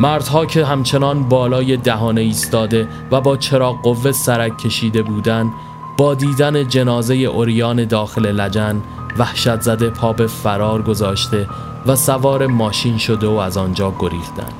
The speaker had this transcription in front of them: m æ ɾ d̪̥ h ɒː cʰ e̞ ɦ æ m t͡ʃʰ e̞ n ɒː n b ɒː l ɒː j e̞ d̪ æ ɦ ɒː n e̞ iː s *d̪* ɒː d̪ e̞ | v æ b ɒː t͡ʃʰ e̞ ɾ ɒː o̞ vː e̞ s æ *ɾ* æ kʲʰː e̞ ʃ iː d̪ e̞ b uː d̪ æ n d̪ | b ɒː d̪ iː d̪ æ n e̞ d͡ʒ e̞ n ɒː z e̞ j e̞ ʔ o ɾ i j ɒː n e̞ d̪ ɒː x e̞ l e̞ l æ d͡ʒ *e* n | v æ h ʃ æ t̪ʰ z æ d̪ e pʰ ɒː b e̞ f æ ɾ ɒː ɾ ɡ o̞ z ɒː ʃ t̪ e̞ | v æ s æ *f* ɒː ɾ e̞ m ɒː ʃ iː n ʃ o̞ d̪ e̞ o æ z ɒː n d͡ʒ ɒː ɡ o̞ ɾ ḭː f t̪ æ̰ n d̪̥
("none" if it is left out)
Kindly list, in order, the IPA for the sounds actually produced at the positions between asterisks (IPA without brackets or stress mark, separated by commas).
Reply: t̪, ɾ, æ, v